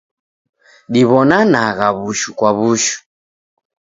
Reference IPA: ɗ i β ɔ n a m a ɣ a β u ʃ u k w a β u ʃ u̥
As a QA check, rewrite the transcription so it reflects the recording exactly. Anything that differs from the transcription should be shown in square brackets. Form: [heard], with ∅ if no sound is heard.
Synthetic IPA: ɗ i β ɔ n a [n] a ɣ a β u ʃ u k w a β u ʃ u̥